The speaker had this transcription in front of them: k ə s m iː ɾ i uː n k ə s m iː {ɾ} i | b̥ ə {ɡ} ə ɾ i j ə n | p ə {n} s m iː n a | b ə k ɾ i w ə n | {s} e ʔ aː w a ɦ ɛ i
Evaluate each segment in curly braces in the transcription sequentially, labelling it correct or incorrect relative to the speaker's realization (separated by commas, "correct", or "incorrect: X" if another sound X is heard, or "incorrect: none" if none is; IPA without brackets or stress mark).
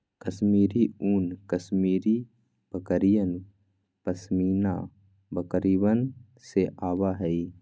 correct, incorrect: k, incorrect: none, correct